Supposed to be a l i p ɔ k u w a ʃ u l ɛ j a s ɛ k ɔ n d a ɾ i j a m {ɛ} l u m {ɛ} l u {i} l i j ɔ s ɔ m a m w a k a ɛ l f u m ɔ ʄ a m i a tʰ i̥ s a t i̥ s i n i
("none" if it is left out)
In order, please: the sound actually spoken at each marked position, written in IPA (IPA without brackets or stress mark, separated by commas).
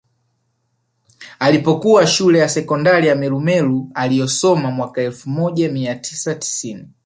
ɛ, ɛ, a